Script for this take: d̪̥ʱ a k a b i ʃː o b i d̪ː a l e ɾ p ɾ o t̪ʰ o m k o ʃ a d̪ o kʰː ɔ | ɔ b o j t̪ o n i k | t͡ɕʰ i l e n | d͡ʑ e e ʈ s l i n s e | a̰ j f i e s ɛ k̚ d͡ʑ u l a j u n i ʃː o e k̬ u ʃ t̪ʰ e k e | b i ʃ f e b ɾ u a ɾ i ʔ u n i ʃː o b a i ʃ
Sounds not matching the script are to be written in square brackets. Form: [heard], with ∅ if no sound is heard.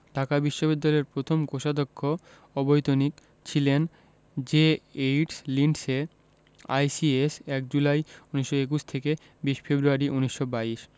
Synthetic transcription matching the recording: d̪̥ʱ a k a b i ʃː o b i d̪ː a l e ɾ p ɾ o t̪ʰ o m k o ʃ a d̪ o kʰː [o] | ɔ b o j t̪ o n i k | t͡ɕʰ i l e n | d͡ʑ e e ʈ s l i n s e | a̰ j [s] i e s ɛ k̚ d͡ʑ u l a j u n i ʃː o e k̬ u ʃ t̪ʰ e k e | b i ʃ f e b ɾ u a ɾ i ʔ u n i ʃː o b a i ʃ